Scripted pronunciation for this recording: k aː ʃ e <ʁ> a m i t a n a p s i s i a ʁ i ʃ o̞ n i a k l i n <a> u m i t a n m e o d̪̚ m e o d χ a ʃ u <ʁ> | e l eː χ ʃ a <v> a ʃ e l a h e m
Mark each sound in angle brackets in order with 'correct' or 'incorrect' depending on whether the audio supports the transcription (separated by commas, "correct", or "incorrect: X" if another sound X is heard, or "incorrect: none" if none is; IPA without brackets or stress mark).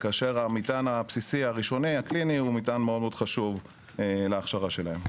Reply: correct, incorrect: i, incorrect: v, incorrect: ʁ